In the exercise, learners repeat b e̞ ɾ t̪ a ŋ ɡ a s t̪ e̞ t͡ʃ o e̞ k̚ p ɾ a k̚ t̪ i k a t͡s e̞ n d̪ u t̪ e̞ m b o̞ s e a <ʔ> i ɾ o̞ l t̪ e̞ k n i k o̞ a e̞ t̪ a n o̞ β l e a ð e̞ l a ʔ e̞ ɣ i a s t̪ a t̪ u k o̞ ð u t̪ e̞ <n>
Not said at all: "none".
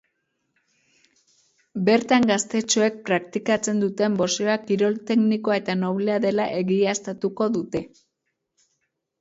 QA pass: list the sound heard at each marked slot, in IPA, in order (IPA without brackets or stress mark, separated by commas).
k, none